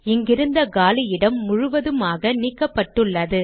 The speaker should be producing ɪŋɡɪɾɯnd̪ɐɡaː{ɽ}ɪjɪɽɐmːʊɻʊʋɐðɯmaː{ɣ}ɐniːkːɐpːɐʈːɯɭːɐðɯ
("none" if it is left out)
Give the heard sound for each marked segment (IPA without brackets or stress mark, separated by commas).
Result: l, ɣ